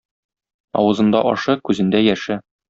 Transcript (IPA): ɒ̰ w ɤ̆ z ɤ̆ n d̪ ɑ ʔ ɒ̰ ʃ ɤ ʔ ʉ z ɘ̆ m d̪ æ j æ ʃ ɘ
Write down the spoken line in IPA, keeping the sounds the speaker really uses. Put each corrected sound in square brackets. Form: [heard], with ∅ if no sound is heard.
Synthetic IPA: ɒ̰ w ɤ̆ z ɤ̆ n d̪ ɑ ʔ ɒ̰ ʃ ɤ [k] ʉ z ɘ̆ [n] d̪ æ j æ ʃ ɘ